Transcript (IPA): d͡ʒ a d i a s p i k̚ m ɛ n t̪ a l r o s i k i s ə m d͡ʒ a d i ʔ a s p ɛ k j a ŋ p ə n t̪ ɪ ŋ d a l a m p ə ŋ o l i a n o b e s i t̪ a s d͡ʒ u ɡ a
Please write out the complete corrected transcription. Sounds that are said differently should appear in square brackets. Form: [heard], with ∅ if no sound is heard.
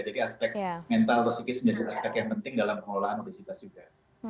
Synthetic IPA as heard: d͡ʒ a d i a s p [ɛ] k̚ m ɛ n t̪ a l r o s i k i s ə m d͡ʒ a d i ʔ a s p ɛ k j a ŋ p ə n t̪ ɪ ŋ d a l a m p ə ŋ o l [a] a n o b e s i t̪ a s d͡ʒ u ɡ a